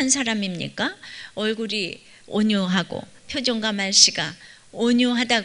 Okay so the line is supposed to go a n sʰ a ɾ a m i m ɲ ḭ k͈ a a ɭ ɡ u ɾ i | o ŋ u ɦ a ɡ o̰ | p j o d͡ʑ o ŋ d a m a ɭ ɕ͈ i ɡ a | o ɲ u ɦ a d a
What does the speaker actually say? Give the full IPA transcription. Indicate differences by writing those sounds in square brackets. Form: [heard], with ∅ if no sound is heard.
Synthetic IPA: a n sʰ a ɾ a m i m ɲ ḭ k͈ a [ʌ] ɭ ɡ u ɾ i | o [ɲ] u ɦ a ɡ o̰ | [pʰ] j o d͡ʑ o ŋ [ɡ] a m a ɭ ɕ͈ i ɡ a | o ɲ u ɦ a d a

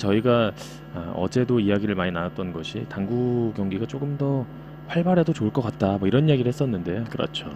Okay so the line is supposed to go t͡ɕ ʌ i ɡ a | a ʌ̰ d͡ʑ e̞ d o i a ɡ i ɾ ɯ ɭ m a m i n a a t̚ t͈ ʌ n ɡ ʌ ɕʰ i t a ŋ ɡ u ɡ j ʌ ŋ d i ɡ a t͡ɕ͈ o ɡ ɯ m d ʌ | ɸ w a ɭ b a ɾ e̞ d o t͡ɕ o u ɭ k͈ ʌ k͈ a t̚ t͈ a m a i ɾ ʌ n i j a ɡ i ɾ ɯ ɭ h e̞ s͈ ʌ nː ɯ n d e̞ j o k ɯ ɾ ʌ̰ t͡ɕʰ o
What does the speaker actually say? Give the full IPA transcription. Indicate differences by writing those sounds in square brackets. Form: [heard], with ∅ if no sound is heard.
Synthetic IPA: t͡ɕ ʌ i ɡ a | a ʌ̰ d͡ʑ e̞ d o i a ɡ i ɾ ɯ ɭ m a [ɲ] i n a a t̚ t͈ ʌ n ɡ ʌ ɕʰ i t a ŋ ɡ u ɡ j ʌ ŋ [ɡ] i ɡ a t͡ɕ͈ o ɡ ɯ m d ʌ | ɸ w a ɭ b a ɾ e̞ d o t͡ɕ o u ɭ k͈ ʌ k͈ a t̚ t͈ a m [ʌ] i ɾ ʌ n i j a ɡ i ɾ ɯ ɭ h e̞ s͈ ʌ nː ɯ n d e̞ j o k ɯ ɾ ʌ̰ t͡ɕʰ o

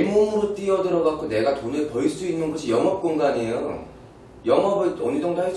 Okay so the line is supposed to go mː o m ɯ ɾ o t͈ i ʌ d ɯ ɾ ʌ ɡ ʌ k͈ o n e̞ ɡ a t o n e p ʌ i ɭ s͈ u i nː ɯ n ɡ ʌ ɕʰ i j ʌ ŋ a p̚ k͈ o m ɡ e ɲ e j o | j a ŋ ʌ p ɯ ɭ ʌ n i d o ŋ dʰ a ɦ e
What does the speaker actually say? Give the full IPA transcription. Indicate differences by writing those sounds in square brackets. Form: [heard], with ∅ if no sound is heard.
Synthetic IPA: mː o m ɯ ɾ o t͈ i ʌ d ɯ ɾ ʌ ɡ [a] k͈ o n e̞ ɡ a t o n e p ʌ i ɭ s͈ u i nː ɯ n ɡ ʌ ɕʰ i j ʌ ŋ [ʌ] p̚ k͈ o [ŋ] ɡ [a] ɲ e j o | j [ʌ] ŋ ʌ [b] ɯ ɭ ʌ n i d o ŋ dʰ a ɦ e

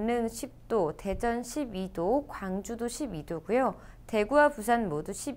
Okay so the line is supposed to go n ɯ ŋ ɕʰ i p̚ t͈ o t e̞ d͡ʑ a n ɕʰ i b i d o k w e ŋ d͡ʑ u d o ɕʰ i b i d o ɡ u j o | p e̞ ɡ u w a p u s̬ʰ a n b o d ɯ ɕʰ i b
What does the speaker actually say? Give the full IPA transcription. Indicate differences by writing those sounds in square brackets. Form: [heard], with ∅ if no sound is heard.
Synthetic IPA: n ɯ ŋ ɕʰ i p̚ t͈ o t e̞ d͡ʑ [ʌ] n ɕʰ i b i d o k w [a] ŋ d͡ʑ u d o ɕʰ i b i d o ɡ u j o | [t] e̞ ɡ u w a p u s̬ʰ a n [m] o d [u] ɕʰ i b

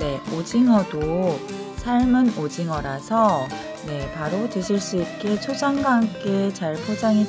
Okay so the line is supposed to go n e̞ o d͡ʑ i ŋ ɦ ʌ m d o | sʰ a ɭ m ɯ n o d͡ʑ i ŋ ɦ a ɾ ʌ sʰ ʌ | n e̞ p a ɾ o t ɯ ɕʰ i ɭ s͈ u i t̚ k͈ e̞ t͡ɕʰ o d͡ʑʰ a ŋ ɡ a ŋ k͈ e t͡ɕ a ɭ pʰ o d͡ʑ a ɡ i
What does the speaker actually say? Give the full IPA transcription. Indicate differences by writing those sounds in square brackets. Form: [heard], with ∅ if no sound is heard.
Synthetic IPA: n e̞ o d͡ʑ i ŋ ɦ ʌ [∅] d o | sʰ a ɭ m ɯ n o d͡ʑ i ŋ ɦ [ʌ] ɾ [a] sʰ ʌ | n e̞ p a ɾ o t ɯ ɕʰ i ɭ s͈ u i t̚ k͈ e̞ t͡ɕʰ o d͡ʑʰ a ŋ ɡ a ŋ k͈ e t͡ɕ a ɭ pʰ o d͡ʑ a [ŋ] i

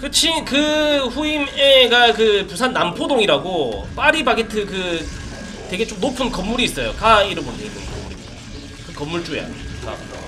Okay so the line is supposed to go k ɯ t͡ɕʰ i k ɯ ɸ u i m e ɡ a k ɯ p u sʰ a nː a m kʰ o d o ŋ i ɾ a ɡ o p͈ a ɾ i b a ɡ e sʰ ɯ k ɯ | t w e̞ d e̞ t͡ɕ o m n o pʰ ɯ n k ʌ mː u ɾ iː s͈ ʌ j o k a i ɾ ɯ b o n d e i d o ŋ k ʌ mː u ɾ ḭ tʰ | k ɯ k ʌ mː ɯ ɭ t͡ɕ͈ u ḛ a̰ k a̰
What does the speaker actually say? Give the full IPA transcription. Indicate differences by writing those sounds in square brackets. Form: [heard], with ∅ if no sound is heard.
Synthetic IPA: k ɯ t͡ɕʰ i k ɯ ɸ u i m e ɡ a k ɯ p u sʰ a nː a m [pʰ] o d o ŋ i ɾ a ɡ o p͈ a ɾ i b a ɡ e [tʰ] ɯ k ɯ | t w e̞ [ɡ] e̞ t͡ɕ o m n o pʰ ɯ n k ʌ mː u ɾ iː s͈ ʌ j o k a i ɾ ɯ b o n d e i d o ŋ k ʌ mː u ɾ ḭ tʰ | k ɯ k ʌ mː [u] ɭ t͡ɕ͈ u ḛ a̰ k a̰

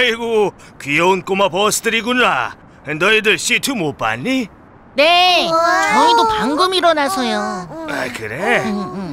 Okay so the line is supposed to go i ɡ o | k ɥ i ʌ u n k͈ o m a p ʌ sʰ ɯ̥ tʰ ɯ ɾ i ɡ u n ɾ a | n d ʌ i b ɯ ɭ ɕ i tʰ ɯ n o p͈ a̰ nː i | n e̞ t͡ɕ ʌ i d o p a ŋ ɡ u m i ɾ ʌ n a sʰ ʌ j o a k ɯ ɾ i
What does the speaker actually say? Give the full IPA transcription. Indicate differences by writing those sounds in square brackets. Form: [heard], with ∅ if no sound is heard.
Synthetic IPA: i ɡ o | k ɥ i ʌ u n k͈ o m a p ʌ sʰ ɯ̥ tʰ ɯ ɾ i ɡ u n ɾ a | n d ʌ i [d] ɯ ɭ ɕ i tʰ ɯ [m] o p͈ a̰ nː i | n e̞ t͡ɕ ʌ i d o p a ŋ ɡ [ɯ] m i ɾ ʌ n a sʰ ʌ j o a k ɯ ɾ [e]

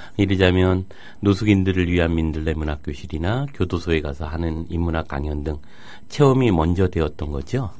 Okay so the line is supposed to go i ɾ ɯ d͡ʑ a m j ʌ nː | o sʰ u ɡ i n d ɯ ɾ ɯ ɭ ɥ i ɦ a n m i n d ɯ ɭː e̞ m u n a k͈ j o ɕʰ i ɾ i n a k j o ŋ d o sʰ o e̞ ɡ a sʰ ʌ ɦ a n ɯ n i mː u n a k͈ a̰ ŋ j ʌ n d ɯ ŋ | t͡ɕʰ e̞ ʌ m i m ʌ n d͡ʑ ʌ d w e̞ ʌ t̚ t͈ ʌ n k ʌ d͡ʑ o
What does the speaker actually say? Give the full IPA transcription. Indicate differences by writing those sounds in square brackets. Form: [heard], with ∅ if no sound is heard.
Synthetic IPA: i ɾ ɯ d͡ʑ a m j ʌ nː | o sʰ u ɡ i n d ɯ ɾ ɯ ɭ ɥ i ɦ a n m i n d ɯ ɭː e̞ m u n a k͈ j o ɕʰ i ɾ i n a k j o [∅] d o sʰ o e̞ ɡ a sʰ ʌ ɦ a n ɯ n i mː u n a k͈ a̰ ŋ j ʌ n d ɯ ŋ | t͡ɕʰ e̞ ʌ m i m ʌ n d͡ʑ ʌ d w e̞ ʌ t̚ t͈ ʌ n [ɡ] ʌ d͡ʑ o

